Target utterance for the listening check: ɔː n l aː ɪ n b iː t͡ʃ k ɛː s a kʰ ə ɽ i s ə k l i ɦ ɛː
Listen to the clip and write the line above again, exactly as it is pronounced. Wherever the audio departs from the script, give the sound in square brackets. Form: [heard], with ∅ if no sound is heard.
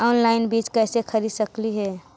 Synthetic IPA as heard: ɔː n l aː ɪ n b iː t͡ʃ k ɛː s [e] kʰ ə [ɾ] i s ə k l i ɦ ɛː